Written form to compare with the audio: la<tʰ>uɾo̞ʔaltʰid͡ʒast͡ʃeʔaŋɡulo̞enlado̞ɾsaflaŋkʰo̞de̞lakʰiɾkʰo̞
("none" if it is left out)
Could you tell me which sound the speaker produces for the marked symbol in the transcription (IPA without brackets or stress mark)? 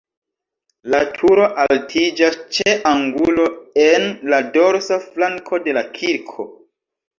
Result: tʰ